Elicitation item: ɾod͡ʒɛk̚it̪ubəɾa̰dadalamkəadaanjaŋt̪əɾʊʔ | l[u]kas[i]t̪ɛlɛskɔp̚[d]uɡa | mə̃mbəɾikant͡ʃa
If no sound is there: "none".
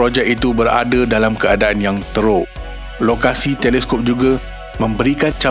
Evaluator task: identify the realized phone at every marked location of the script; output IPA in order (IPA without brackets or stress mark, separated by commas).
o, i, d͡ʒ